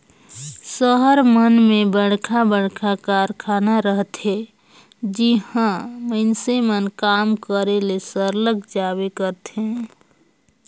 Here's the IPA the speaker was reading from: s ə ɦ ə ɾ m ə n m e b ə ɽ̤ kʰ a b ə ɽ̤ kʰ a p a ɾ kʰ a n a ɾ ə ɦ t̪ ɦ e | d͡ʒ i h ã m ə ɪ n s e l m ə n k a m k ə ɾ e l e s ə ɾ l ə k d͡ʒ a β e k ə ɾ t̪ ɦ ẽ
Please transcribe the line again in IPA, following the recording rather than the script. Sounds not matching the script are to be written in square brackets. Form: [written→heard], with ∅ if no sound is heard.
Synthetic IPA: s ə ɦ ə ɾ m ə n m e b ə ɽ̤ kʰ a b ə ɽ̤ kʰ a [p→k] a ɾ kʰ a n a ɾ ə ɦ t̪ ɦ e | d͡ʒ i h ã m ə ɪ n s e [l→∅] m ə n k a m k ə ɾ e l e s ə ɾ l ə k d͡ʒ a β e k ə ɾ t̪ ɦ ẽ